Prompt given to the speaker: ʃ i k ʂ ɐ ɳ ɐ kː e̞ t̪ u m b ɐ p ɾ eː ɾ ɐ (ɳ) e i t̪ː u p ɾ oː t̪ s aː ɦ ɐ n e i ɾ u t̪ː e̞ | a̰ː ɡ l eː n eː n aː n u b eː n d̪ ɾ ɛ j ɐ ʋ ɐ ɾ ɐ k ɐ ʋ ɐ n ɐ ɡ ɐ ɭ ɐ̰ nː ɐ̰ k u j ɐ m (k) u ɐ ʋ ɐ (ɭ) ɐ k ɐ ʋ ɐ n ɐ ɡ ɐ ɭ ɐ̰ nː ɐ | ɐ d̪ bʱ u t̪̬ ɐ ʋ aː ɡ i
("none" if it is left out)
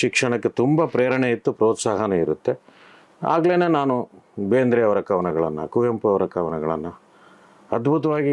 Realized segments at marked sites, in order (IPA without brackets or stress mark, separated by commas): ɳ, p, ɾ